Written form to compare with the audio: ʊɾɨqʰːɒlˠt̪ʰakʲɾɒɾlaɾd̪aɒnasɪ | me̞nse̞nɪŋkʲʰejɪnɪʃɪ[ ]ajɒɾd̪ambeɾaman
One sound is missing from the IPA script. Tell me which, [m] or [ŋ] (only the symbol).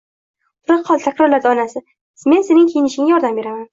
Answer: ŋ